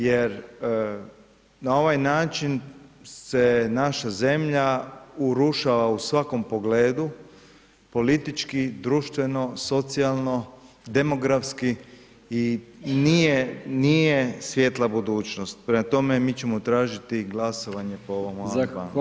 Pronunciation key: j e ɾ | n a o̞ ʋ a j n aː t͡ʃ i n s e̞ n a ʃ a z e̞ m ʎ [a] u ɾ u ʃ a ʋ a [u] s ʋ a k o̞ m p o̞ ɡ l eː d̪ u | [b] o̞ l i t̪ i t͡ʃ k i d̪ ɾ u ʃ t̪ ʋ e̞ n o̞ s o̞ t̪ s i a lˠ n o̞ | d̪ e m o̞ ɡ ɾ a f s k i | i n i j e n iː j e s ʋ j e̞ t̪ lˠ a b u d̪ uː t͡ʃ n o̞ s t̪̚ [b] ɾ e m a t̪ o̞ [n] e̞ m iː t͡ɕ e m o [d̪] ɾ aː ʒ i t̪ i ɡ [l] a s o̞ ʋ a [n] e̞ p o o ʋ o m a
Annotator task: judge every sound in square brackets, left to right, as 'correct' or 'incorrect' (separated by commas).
correct, correct, incorrect, incorrect, incorrect, incorrect, correct, incorrect